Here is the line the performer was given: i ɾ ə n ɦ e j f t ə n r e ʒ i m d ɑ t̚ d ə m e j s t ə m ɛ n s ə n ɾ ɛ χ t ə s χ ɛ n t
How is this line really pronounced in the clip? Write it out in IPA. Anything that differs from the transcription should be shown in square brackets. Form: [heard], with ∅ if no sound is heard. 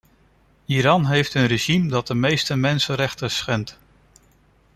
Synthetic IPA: i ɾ [ɑ] n ɦ e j f t ə n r e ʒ i m d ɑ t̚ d ə m e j s t ə m ɛ n s ə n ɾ ɛ χ t ə s χ ɛ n t